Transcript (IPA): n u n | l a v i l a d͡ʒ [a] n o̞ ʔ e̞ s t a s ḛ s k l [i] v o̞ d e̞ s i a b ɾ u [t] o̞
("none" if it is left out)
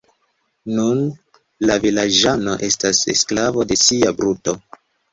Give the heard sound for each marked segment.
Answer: a, a, t

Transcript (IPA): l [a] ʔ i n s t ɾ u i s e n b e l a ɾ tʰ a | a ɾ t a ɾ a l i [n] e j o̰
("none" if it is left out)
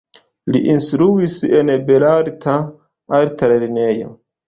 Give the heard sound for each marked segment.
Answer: i, n

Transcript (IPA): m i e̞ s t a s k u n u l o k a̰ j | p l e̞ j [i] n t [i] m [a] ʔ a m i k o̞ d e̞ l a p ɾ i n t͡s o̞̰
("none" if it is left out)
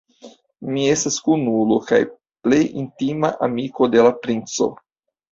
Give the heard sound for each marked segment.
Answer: i, i, a

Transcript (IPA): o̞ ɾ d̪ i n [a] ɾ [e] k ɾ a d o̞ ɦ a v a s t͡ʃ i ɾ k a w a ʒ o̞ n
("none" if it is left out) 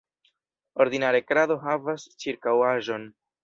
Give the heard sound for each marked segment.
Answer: a, e

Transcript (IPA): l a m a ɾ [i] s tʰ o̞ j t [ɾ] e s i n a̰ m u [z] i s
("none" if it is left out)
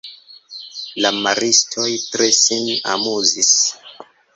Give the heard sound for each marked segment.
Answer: i, ɾ, z

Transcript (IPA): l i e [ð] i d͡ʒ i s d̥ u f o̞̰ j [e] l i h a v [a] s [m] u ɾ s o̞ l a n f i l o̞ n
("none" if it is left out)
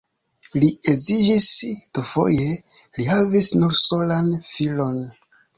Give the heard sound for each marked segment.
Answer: z, e, i, n

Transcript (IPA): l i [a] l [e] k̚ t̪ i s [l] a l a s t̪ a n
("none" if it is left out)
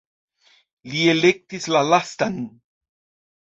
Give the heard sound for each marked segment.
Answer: e, e, l

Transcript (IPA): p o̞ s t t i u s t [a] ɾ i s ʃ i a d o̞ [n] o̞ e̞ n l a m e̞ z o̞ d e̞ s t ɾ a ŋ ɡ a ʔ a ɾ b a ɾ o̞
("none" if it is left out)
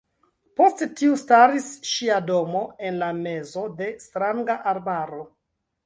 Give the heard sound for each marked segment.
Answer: a, m

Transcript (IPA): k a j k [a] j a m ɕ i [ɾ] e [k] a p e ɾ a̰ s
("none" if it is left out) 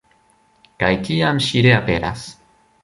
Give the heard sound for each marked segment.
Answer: i, ɾ, none

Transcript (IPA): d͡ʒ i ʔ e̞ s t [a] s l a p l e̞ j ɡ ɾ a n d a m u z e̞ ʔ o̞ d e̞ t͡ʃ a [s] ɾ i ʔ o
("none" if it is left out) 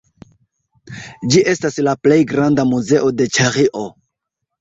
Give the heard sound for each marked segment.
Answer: a, none

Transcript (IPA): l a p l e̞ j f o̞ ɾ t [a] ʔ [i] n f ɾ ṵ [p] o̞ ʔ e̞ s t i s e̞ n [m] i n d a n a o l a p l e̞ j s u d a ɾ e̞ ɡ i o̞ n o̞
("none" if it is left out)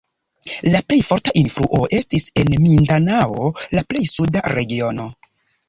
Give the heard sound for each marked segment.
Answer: a, i, ʔ, m

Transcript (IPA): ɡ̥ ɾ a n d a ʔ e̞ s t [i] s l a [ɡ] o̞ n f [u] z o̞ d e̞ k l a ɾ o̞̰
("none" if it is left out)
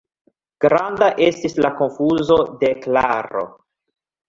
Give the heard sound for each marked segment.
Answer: i, k, u

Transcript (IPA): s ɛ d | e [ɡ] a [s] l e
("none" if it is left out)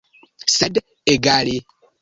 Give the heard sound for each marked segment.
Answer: ɡ, none

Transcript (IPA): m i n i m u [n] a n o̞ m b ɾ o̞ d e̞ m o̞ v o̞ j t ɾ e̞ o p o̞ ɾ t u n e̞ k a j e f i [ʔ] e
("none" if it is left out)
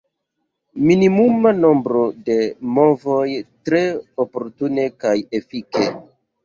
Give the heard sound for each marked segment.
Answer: m, k

